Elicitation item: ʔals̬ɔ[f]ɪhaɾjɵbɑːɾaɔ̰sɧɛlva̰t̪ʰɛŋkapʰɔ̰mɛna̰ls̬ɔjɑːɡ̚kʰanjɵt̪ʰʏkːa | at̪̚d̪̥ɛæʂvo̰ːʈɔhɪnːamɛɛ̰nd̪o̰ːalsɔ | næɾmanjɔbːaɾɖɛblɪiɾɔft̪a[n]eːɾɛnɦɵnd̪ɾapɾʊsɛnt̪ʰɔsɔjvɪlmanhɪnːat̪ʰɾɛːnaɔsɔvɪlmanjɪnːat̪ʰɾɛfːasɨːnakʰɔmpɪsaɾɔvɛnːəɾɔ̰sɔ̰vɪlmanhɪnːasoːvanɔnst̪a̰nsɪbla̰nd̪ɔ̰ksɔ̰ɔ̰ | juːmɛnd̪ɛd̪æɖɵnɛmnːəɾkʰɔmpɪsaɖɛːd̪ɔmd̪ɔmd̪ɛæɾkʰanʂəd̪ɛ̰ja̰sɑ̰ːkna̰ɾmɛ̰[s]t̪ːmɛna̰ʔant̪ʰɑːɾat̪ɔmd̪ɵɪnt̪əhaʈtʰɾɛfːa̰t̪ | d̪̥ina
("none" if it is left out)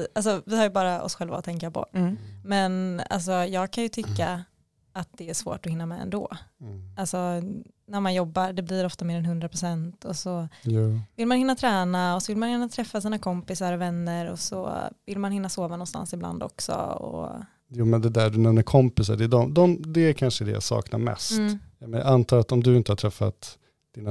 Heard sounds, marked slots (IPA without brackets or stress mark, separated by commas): v, m, s